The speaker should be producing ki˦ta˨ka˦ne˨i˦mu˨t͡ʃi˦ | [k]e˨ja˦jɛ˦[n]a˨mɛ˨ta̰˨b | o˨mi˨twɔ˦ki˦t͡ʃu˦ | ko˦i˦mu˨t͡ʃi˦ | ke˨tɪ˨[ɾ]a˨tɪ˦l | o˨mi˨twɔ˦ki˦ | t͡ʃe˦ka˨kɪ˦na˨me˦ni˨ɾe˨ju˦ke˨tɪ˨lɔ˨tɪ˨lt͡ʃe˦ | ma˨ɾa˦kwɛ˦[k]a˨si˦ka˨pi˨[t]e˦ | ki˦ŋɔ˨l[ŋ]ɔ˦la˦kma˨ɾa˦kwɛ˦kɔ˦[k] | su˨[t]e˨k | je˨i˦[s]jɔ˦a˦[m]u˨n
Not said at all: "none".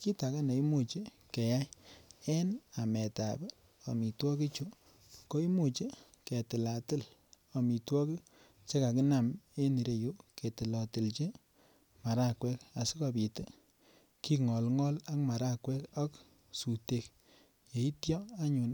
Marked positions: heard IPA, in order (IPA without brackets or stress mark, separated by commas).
k, n, l, k, t, ŋ, k, t, t, ɲ